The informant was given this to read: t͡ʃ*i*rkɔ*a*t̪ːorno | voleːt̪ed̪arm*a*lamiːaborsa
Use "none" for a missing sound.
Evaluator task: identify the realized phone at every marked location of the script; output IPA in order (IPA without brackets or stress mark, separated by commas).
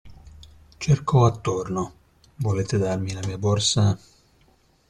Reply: e, a, i